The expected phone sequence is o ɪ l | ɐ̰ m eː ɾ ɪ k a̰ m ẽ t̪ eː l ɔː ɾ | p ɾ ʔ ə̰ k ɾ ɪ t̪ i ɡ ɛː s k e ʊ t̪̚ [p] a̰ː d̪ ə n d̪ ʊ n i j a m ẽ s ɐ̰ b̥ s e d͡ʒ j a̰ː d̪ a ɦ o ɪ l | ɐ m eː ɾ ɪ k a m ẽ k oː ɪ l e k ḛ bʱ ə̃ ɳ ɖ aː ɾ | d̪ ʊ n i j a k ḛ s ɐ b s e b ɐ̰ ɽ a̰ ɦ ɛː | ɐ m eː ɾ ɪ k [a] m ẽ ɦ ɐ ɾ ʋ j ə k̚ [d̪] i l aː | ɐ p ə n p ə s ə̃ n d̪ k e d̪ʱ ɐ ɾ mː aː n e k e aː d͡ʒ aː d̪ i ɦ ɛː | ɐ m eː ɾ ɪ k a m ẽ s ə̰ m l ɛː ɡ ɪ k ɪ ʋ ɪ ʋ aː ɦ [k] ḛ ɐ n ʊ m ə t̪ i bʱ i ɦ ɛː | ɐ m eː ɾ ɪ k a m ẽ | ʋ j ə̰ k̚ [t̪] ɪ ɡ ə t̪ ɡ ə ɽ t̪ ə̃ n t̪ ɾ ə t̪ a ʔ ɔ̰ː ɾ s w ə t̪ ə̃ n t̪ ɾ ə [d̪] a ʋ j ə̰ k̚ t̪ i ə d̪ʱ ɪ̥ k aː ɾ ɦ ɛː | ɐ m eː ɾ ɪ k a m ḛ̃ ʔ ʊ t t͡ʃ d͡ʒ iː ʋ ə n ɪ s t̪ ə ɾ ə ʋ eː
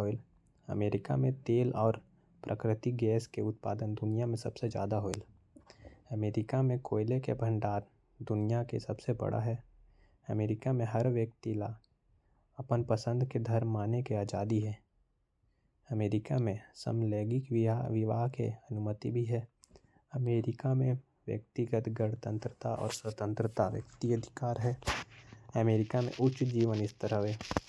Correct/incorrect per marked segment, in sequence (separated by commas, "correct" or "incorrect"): correct, correct, incorrect, correct, correct, incorrect